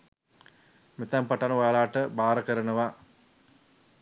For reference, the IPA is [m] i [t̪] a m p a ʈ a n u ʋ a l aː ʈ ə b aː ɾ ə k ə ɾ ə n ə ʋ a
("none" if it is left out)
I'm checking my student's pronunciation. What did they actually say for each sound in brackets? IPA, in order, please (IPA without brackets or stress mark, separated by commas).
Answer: m, t̪